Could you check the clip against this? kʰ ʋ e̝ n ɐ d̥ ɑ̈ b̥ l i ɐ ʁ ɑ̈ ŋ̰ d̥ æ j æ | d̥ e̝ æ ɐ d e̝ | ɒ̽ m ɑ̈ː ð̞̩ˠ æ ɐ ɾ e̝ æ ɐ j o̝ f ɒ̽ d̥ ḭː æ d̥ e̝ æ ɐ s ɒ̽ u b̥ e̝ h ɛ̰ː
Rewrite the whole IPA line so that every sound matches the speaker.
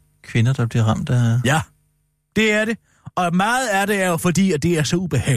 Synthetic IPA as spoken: kʰ ʋ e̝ n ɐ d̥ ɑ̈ b̥ l i ɐ ʁ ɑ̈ m̰ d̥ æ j æ | d̥ e̝ æ ɐ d e̝ | ɒ̽ m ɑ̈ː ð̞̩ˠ æ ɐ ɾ e̝ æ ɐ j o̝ f ɒ̽ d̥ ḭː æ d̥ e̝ æ ɐ s ɒ̽ u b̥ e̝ h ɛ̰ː